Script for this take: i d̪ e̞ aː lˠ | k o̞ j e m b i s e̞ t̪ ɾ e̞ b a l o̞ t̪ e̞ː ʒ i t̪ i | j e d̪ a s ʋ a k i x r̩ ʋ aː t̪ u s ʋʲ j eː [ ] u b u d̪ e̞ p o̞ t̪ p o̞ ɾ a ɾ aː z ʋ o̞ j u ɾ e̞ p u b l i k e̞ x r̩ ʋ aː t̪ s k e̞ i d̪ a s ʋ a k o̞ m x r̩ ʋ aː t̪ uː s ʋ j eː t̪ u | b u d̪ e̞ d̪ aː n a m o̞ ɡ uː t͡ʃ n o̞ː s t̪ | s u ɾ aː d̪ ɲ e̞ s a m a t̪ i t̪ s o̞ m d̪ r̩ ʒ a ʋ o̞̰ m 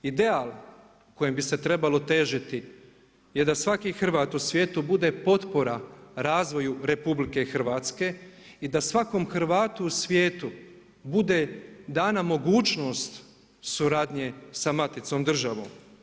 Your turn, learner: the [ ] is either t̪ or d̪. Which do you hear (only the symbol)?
t̪